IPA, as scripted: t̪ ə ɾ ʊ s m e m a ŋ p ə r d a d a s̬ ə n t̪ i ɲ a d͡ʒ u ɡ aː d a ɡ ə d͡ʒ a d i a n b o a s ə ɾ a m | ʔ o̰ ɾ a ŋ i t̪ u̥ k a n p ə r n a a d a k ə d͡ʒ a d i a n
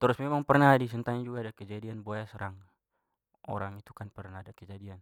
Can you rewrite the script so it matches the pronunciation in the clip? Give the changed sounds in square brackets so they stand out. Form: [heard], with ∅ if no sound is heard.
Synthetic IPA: t̪ ə ɾ ʊ s m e m a ŋ p ə r [n] a d [i] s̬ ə n t̪ [a] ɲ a d͡ʒ u ɡ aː d a [k] ə d͡ʒ a d i a n b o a s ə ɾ a [ŋ] | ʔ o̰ ɾ a ŋ i t̪ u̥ k a n p ə r n a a d a k ə d͡ʒ a d i a n

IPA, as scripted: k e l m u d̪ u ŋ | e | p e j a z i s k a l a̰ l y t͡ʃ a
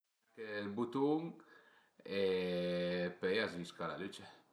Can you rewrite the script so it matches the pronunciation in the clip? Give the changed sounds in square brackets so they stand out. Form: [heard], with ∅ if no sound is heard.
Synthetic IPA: k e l [b] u [t̪] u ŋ | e | p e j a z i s k a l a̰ l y t͡ʃ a

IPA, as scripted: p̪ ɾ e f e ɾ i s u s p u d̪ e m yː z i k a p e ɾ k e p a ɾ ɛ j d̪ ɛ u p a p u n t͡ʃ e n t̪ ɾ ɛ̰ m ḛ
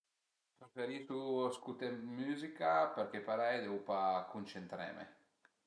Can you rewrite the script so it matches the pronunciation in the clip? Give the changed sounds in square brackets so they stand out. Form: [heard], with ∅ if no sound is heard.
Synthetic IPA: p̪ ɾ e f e ɾ i s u s [k] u [t̪] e m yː z i k a p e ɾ k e p a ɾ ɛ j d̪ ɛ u p a [k] u n t͡ʃ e n t̪ ɾ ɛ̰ m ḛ

